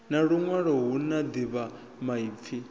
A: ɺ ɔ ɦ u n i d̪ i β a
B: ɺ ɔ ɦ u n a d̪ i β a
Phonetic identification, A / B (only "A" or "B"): B